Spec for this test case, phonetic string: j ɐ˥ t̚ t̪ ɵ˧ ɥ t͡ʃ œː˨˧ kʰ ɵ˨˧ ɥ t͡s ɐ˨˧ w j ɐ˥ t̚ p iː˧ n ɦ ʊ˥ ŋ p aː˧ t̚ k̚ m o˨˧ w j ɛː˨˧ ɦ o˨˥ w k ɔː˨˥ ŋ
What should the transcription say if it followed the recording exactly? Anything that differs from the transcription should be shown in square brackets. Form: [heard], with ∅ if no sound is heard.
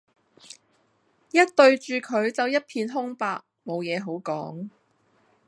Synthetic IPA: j ɐ˥ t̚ t̪ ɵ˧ ɥ t͡ʃ [yː˨˧] kʰ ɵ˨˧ ɥ t͡s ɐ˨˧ w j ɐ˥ t̚ [pʰ] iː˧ n ɦ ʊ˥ ŋ p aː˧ [∅] k̚ m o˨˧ w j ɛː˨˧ ɦ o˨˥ w k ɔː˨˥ ŋ